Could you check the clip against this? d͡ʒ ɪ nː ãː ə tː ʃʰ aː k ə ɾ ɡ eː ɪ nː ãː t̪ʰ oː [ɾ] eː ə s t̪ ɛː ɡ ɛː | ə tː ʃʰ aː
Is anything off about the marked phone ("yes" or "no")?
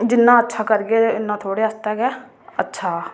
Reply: yes